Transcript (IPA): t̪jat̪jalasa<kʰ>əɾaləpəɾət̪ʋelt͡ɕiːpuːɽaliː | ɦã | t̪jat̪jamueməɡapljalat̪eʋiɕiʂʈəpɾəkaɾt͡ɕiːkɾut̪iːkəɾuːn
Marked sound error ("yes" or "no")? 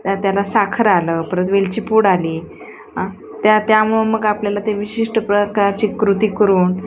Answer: no